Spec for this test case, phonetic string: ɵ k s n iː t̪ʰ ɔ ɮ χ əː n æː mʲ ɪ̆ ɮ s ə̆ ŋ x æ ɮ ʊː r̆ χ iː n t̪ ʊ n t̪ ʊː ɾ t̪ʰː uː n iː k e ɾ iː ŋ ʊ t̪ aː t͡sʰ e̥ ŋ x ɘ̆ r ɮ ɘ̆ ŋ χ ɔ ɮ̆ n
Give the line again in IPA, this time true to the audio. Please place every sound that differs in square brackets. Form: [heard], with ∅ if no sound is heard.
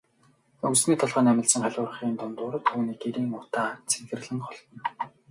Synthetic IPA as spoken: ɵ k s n iː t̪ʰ ɔ ɮ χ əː n [æ] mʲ ɪ̆ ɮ s ə̆ ŋ [χ] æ ɮ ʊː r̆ χ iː n t̪ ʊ n t̪ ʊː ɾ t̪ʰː uː n iː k e ɾ iː ŋ ʊ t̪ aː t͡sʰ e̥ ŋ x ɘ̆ r ɮ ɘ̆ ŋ χ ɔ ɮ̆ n